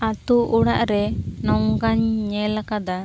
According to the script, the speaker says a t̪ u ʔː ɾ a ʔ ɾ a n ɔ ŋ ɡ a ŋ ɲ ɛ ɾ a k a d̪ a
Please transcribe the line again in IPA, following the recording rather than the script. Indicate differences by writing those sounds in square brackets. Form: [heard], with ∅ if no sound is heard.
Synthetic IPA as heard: a t̪ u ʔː [ɽ] a ʔ ɾ [ɛ] n ɔ ŋ ɡ a [ɲ] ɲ ɛ [l] a k a d̪ a